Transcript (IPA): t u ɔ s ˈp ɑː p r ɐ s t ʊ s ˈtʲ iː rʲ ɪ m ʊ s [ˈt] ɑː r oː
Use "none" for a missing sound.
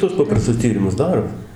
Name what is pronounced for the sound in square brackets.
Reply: d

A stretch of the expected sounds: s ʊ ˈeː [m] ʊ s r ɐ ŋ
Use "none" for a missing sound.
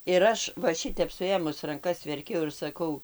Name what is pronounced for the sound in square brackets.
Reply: m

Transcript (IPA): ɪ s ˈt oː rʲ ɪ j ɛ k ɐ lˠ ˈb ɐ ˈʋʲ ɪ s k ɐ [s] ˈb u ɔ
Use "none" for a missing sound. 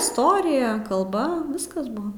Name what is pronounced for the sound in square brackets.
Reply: s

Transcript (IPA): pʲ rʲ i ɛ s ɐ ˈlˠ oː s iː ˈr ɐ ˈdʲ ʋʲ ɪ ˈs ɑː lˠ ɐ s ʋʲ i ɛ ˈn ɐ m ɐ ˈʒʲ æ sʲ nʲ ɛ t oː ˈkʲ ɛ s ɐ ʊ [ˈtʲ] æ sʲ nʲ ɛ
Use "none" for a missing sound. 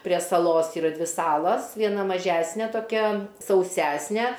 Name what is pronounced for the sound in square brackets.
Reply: sʲ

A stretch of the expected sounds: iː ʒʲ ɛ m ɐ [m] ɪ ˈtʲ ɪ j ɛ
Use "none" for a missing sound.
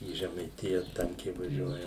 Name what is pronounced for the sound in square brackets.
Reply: none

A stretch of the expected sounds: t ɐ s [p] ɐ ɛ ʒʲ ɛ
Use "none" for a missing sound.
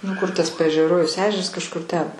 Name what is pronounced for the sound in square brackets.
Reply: p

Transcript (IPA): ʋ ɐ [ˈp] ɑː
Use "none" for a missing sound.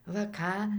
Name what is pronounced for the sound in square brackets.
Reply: k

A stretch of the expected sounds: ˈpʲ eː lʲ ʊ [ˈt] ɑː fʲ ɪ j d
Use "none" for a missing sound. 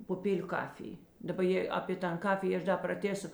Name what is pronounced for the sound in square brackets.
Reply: k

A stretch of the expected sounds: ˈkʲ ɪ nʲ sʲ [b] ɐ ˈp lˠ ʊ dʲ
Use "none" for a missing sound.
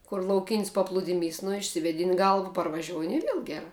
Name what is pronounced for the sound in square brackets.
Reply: p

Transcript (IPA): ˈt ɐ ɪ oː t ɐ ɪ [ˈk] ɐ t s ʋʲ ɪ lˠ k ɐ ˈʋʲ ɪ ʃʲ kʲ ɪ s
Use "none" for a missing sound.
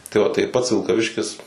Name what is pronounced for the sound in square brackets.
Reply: p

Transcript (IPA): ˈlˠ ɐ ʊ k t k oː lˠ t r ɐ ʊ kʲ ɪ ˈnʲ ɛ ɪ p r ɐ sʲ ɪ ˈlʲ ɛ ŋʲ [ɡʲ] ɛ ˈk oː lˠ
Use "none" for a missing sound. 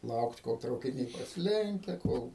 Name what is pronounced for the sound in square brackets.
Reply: kʲ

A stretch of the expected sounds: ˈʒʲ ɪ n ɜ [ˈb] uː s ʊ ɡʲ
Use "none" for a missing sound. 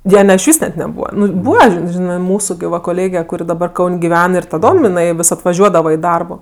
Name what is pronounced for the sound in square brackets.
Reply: m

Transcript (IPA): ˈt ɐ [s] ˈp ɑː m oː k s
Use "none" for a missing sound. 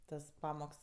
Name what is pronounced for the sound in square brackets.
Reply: s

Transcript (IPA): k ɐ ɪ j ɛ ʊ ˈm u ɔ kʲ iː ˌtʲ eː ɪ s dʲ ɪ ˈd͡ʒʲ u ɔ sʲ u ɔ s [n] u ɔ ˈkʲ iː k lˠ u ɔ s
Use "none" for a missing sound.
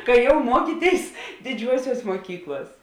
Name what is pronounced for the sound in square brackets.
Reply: m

